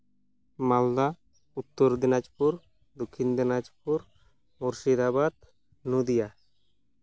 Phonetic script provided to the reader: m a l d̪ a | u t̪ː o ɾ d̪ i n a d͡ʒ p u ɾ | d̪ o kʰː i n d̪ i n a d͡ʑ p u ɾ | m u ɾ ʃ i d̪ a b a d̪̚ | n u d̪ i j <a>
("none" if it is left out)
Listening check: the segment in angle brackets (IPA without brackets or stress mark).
a